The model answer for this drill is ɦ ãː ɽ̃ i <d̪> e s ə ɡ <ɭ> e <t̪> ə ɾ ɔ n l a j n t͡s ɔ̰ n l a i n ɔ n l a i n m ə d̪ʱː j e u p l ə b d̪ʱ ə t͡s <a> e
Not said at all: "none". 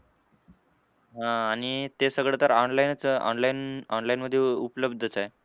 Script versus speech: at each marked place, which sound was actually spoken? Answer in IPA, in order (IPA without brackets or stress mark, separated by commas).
t̪, ɭ, t̪, a